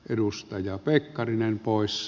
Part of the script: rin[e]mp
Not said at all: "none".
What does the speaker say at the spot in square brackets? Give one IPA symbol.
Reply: e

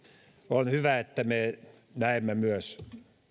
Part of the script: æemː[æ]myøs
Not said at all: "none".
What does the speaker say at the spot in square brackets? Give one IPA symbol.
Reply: æ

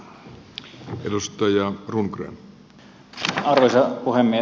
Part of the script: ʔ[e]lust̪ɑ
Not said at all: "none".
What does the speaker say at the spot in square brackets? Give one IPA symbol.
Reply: e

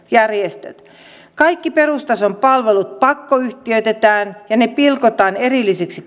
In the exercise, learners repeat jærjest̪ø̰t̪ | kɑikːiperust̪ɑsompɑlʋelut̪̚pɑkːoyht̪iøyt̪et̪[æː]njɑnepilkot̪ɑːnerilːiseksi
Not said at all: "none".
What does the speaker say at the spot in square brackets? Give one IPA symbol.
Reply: æː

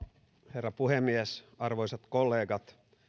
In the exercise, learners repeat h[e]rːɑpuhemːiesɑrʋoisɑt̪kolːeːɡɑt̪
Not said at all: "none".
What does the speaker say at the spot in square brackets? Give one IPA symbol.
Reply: e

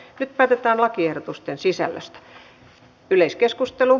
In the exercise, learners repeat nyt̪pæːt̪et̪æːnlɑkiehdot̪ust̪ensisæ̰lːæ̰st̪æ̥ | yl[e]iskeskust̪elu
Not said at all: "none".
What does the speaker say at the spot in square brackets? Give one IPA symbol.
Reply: e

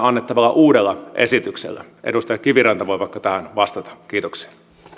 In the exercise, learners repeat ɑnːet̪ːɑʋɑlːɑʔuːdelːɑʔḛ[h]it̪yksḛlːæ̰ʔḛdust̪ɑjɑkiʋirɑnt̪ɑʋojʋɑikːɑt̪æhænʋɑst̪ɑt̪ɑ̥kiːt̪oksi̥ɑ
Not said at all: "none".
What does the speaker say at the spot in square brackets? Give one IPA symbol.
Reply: s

